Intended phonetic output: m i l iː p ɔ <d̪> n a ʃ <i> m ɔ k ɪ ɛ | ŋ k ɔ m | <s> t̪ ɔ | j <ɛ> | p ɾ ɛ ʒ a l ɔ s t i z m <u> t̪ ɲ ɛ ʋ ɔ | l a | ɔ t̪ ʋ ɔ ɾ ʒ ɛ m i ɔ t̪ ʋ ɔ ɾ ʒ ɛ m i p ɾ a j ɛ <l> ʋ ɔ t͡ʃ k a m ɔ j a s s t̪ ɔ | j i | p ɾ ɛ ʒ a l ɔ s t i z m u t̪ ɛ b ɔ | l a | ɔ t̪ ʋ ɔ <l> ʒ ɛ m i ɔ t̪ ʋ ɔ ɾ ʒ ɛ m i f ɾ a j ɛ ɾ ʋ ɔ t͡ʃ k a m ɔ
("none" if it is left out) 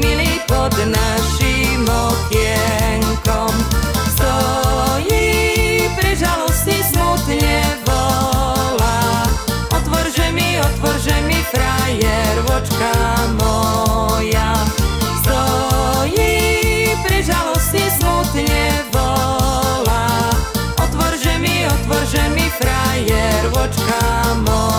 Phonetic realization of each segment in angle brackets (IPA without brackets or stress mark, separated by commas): d̪, i, s, i, u, ɾ, ɾ